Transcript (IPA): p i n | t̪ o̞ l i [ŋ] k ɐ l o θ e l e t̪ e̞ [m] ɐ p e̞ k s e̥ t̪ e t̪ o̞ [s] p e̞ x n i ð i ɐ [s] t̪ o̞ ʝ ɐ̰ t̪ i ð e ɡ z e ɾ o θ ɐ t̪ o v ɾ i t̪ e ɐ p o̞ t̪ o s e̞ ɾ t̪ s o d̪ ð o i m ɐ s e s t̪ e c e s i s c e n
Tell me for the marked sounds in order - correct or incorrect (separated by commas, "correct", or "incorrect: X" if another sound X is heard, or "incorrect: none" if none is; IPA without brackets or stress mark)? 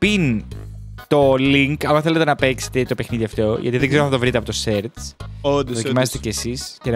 correct, incorrect: n, incorrect: none, incorrect: f